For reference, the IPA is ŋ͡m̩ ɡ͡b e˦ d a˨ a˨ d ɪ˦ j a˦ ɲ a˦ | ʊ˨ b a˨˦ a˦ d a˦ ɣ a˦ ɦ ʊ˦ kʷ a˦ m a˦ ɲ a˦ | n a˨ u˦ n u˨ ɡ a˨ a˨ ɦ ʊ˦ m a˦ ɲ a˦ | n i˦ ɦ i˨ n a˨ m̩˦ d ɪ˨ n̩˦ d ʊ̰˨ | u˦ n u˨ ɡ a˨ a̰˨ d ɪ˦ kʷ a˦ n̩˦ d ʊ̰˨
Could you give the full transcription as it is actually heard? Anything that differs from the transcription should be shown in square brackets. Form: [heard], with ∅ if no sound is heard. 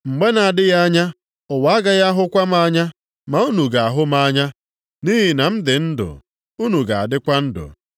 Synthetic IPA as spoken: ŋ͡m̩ ɡ͡b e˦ [n] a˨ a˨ d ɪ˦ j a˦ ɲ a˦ | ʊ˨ [w] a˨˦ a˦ [ɡ] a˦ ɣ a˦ ɦ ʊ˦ kʷ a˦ m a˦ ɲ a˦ | [m] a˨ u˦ n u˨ ɡ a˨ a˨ ɦ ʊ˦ m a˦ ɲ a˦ | n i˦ ɦ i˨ n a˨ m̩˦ d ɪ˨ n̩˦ d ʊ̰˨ | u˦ n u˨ ɡ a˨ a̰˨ d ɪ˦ kʷ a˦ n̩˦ d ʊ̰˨